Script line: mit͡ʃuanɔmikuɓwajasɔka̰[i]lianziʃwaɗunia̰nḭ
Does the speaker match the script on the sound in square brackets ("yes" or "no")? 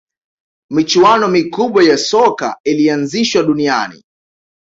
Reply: yes